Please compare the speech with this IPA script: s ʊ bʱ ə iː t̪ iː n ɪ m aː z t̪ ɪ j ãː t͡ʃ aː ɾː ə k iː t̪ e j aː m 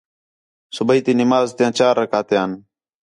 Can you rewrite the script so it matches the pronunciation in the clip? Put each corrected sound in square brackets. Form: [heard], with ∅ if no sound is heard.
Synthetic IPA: s ʊ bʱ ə iː t̪ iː n ɪ m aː z t̪ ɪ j ãː t͡ʃ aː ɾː ə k [aː] t̪ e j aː [n]